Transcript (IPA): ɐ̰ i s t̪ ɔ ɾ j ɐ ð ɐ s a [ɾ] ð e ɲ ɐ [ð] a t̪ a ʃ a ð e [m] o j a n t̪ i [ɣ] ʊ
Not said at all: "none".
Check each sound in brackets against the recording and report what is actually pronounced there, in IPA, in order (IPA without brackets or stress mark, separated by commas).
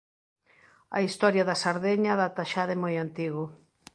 ɾ, ð, m, ɣ